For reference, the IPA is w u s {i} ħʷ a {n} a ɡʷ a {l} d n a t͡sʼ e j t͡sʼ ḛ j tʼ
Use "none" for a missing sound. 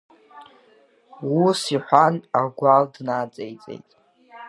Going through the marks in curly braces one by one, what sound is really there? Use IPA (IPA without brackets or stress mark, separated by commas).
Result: i, n, l